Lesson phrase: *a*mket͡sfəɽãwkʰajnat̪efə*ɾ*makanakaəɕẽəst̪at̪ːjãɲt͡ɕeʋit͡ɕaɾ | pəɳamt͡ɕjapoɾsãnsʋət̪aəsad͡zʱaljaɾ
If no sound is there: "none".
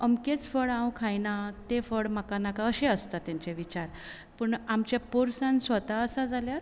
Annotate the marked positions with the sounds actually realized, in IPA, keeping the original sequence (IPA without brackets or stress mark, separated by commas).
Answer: ə, ɽ